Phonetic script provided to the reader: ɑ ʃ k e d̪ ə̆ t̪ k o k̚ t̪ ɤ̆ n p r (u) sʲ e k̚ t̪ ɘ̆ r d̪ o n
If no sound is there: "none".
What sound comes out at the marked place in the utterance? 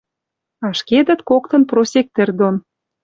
o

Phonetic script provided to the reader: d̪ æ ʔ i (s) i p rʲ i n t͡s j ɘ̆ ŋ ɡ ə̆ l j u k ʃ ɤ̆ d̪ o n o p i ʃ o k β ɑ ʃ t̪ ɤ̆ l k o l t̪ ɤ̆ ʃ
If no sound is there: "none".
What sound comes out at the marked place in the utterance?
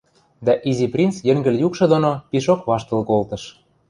z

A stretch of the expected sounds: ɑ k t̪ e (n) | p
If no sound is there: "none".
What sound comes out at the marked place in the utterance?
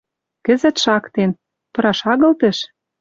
n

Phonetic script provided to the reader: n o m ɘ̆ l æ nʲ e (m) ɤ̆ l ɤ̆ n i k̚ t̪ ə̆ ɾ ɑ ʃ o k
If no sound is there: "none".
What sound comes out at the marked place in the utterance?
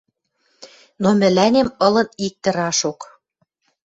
m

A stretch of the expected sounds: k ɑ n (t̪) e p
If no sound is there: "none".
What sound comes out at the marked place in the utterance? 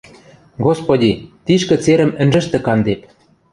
d̪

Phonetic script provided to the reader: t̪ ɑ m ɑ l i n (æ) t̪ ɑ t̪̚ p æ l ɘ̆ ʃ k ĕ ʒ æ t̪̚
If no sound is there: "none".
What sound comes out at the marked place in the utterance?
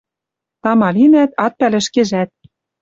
æ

